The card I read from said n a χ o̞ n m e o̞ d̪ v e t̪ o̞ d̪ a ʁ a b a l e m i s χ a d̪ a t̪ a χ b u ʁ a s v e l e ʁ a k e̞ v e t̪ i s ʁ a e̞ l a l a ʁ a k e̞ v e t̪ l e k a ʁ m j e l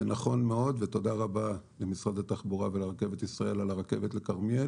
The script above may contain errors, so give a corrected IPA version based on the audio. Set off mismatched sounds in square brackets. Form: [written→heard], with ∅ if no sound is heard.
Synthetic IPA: n a χ o̞ n m e o̞ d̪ v e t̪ o̞ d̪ a ʁ a b a l e m i s [χ→ʁ] a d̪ a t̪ a χ b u ʁ a [s→∅] v e l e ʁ a k e̞ v e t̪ i s ʁ a e̞ l a l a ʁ a k e̞ v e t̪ l e k a ʁ m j e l